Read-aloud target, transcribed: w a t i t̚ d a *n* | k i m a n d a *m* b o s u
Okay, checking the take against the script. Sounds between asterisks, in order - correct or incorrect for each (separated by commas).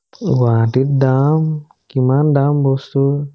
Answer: incorrect, correct